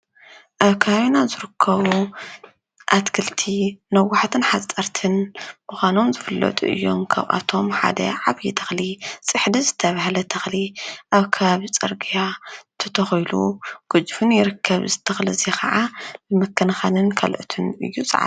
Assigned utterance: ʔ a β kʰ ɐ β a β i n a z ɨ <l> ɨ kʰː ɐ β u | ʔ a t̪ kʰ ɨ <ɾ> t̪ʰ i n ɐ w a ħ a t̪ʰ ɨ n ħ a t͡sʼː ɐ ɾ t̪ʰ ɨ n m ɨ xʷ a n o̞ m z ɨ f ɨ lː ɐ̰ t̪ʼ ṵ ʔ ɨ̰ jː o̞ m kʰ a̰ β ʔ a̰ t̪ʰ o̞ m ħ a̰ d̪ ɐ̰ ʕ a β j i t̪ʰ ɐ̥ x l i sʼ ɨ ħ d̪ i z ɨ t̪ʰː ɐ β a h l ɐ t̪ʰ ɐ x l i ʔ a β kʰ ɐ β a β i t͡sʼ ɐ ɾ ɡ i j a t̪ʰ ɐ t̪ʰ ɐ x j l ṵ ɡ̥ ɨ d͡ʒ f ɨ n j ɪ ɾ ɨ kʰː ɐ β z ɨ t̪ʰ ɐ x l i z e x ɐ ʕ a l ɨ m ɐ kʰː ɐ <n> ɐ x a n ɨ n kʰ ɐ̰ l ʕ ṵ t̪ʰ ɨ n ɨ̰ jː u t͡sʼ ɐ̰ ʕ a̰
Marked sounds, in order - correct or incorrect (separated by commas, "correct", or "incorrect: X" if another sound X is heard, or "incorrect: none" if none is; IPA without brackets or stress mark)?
incorrect: ɾ, incorrect: l, correct